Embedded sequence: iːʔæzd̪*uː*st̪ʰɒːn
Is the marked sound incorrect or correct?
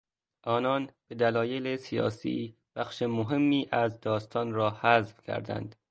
incorrect: ɒː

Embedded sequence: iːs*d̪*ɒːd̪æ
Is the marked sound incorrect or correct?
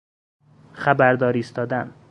incorrect: t̪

